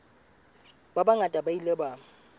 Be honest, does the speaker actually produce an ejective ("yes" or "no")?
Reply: yes